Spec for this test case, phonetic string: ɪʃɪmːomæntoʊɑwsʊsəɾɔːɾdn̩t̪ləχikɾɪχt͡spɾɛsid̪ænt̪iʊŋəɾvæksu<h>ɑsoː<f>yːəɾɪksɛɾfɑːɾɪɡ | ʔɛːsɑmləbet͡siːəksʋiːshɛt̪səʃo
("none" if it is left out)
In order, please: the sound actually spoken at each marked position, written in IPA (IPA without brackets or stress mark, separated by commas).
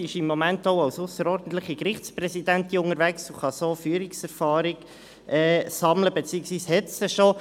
χ, f